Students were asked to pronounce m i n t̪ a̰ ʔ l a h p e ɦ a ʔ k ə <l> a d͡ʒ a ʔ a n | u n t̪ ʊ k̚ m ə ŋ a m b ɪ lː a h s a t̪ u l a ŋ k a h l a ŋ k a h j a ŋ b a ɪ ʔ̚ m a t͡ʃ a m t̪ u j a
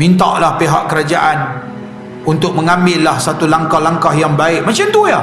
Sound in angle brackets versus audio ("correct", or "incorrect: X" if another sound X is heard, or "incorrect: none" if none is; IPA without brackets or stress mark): incorrect: ɾ